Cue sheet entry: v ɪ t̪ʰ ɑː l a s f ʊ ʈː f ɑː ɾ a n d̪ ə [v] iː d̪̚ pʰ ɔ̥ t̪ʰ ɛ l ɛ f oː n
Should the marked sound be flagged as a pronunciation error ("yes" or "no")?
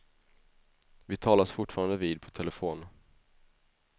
no